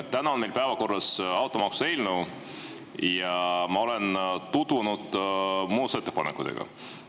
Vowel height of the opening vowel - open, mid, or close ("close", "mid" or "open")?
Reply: open